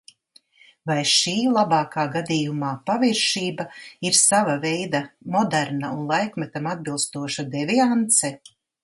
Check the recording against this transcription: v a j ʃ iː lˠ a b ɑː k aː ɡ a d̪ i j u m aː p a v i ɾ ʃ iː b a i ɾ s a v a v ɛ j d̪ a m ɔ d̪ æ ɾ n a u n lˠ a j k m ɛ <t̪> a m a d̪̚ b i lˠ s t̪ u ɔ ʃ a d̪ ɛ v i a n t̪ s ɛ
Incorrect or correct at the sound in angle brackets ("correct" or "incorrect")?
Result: correct